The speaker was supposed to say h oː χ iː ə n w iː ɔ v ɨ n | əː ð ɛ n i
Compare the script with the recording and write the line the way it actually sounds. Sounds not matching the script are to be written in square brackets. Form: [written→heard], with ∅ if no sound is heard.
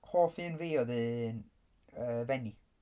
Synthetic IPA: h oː [χ→f] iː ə n [w→v] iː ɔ [v→ð] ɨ n | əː [ð→v] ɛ n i